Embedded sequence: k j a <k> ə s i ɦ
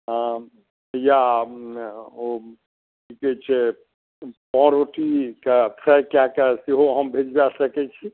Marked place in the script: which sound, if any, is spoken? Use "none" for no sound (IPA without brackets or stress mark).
k